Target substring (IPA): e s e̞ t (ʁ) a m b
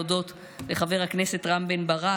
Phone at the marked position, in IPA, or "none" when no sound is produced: ʁ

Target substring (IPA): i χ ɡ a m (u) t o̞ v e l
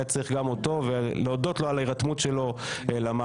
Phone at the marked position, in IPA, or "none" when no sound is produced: o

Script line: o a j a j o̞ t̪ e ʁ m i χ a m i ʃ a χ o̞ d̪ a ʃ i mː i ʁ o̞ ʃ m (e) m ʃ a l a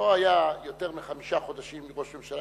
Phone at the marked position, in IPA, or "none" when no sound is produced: e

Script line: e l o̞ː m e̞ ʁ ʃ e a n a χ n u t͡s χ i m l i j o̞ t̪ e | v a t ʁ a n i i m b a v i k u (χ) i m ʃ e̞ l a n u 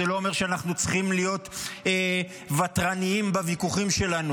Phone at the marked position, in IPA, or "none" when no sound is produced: χ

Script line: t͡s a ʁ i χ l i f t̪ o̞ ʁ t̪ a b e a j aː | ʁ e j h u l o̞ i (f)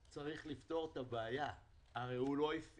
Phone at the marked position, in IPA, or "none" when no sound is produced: f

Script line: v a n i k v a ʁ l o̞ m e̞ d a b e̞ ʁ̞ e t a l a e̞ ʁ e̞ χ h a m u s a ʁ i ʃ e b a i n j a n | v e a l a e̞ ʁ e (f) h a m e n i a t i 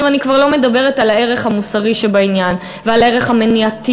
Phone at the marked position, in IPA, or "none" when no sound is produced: χ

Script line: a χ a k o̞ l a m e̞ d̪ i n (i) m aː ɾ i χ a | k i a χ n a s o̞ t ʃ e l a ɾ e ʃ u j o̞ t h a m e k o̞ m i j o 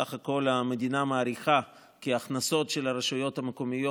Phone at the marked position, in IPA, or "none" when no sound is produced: a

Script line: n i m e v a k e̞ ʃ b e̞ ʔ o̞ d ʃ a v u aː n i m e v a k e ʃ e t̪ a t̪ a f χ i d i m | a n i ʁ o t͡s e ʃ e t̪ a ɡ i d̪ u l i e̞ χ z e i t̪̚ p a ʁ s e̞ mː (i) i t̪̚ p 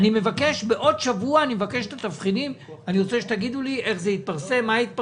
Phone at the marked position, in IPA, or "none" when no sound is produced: a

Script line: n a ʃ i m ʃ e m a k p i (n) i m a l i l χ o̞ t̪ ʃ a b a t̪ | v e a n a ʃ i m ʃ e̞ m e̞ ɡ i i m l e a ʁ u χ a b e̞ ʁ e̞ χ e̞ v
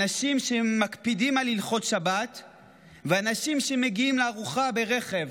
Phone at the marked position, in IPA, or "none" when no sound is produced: d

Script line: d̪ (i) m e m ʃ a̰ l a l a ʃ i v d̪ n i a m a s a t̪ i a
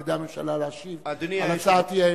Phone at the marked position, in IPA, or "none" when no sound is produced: a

